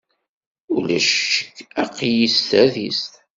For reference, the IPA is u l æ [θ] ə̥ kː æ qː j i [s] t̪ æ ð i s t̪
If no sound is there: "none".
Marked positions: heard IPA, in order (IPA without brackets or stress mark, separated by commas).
ʃ, s